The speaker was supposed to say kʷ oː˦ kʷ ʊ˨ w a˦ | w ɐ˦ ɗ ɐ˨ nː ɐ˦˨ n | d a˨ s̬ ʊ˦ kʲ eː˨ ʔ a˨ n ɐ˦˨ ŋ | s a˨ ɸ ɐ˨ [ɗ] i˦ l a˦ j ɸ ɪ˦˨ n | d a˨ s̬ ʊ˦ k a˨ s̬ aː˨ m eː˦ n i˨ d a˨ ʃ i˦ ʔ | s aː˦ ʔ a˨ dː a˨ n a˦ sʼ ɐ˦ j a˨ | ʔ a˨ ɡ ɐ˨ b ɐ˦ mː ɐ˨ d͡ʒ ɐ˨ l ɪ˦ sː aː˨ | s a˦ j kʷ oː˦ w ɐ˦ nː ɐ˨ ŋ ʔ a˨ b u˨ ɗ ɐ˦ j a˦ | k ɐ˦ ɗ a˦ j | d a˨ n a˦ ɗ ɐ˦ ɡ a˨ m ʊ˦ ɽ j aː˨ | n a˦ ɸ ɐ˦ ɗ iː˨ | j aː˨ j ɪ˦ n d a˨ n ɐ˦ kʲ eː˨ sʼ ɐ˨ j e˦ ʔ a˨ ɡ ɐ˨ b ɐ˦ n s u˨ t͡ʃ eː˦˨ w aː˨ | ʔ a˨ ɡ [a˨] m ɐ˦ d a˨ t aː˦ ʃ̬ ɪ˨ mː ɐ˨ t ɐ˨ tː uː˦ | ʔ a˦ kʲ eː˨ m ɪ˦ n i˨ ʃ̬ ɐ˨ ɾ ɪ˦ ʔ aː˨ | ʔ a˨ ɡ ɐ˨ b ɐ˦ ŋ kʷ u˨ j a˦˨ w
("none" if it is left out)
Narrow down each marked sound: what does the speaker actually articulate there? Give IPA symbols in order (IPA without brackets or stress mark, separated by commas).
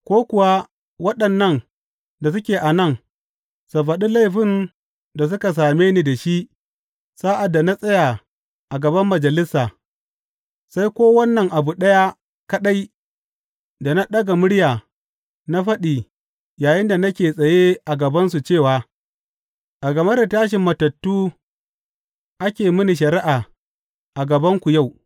ɗ, ɐ˨